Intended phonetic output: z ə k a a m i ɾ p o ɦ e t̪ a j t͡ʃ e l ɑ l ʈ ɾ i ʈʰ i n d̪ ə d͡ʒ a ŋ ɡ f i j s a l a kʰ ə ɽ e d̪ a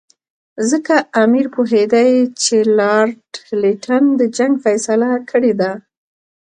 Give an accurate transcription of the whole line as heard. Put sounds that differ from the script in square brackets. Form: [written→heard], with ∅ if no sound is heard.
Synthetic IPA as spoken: z ə k a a m i ɾ p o ɦ e [t̪→d̪] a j t͡ʃ e l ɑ [l→ɾ] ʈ [ɾ→l] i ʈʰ [i→a] n d̪ ə d͡ʒ a ŋ ɡ f [i→a] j s a l a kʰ ə ɽ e d̪ a

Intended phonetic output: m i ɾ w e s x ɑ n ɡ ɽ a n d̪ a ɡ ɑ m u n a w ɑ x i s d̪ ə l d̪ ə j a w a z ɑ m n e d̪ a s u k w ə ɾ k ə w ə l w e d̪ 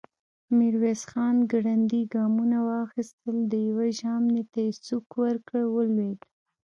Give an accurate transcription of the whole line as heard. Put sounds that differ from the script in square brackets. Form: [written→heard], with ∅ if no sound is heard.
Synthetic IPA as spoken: m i ɾ w e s x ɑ n ɡ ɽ a n d̪ [a→i] ɡ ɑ m u n a w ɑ x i s [d̪→t̪] ə l d̪ ə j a w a [z→ʒ] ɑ m n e [d̪→t̪] a s u k w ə ɾ k ə w ə l w e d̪

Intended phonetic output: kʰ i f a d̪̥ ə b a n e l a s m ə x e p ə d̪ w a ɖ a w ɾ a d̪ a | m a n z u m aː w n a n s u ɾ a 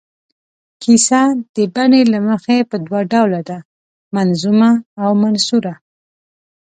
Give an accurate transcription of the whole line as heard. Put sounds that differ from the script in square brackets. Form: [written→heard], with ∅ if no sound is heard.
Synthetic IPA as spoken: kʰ i [f→s] a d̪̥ ə b a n e l a [s→∅] m ə x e p ə d̪ w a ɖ a w [ɾ→l] a d̪ a | m a n z u m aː w [n→m] a n s u ɾ a

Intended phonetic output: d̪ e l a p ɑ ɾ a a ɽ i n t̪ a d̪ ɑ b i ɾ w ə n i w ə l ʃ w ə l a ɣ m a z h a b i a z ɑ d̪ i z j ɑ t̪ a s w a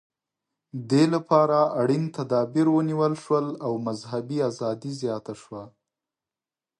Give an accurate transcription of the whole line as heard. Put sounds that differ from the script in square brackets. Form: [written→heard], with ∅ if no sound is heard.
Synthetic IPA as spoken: d̪ e l a p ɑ ɾ a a ɽ i n t̪ a d̪ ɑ b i ɾ w ə n i w ə l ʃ w ə l a [ɣ→w] m a z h a b i a z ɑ d̪ i z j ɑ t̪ a [s→ʃ] w a

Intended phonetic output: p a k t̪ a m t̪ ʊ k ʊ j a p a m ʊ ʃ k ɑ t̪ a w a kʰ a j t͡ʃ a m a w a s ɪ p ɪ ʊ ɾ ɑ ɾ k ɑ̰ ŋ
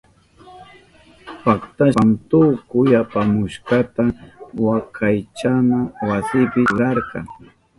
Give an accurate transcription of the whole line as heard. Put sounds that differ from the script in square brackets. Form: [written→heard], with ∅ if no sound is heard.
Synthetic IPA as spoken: p a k t̪ a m t̪ ʊ k ʊ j a p a m ʊ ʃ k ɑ t̪ a w a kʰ a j t͡ʃ a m a w a s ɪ p ɪ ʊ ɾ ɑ ɾ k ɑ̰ ŋ

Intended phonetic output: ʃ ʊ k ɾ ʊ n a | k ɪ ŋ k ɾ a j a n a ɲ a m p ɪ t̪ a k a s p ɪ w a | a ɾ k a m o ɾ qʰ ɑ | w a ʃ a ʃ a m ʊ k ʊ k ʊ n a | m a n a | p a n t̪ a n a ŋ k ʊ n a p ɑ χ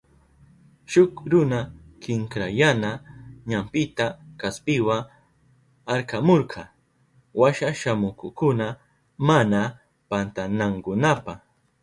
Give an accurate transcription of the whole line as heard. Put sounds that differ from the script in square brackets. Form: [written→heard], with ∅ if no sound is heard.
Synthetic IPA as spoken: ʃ ʊ k ɾ ʊ n a | k ɪ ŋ k ɾ a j a n a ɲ a m p ɪ t̪ a k a s p ɪ w a | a ɾ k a m o ɾ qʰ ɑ | w a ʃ a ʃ a m ʊ k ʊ k ʊ n a | m a n a | p a n t̪ a n a ŋ k ʊ n a p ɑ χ

